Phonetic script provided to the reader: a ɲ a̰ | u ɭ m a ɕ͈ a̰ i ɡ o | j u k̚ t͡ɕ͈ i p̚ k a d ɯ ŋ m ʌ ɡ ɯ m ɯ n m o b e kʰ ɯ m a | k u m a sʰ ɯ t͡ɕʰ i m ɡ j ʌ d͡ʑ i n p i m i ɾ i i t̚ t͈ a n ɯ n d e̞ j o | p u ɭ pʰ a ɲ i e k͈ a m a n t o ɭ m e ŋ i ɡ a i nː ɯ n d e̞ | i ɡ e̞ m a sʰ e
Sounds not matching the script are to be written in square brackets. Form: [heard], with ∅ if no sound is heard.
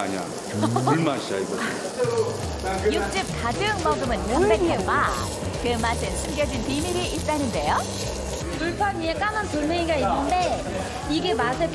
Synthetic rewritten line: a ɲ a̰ | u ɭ m a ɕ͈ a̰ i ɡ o | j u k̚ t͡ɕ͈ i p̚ k a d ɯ ŋ m ʌ ɡ ɯ m ɯ n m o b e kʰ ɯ m a | k [ɯ] m a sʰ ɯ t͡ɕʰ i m ɡ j ʌ d͡ʑ i n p i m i ɾ i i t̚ t͈ a n ɯ n d e̞ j o | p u ɭ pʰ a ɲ i e k͈ a m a n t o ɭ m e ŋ i ɡ a i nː ɯ n d e̞ | i ɡ e̞ m a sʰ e